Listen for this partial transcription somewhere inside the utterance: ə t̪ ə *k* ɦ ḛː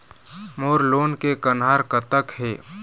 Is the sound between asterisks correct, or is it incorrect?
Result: correct